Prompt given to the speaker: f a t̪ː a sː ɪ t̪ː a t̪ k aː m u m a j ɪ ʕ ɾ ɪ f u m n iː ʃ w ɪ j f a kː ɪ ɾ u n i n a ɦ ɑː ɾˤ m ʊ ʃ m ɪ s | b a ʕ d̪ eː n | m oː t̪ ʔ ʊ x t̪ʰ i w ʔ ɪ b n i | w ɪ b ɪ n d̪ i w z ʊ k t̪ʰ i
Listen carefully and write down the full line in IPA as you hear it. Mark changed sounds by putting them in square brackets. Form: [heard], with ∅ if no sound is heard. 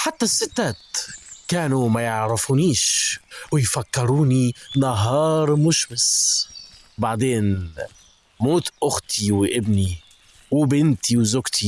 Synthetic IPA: [ħ] a t̪ː a sː ɪ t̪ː a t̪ k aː [n] u m a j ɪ ʕ ɾ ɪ f u [∅] n iː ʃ w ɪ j f a kː ɪ ɾ [uː] n i n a ɦ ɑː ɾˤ m ʊ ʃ m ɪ s | b a ʕ d̪ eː n | m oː t̪ ʔ ʊ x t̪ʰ i w ʔ ɪ b n i | w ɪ b ɪ n [t̪] i w z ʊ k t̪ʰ i